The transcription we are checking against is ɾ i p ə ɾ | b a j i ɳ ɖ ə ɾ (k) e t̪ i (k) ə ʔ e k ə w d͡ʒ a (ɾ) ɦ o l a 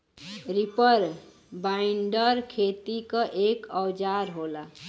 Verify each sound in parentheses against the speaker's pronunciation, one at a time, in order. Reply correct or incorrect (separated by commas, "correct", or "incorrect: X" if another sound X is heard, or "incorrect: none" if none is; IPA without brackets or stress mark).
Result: incorrect: kʰ, correct, correct